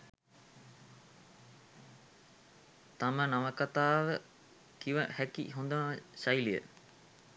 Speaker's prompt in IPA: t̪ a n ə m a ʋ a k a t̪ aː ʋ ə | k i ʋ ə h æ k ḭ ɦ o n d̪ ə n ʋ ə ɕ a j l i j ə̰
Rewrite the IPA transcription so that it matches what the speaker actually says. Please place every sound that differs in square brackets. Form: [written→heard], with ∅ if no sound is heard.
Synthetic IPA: t̪ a [n→m] ə [m→n] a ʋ [a→ə] k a t̪ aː ʋ ə | k i ʋ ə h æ k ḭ ɦ o n d̪ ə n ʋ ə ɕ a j l i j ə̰